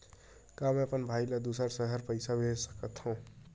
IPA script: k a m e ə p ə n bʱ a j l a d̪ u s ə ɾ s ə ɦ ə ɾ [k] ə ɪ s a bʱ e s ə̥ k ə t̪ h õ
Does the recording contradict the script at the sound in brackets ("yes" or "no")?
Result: yes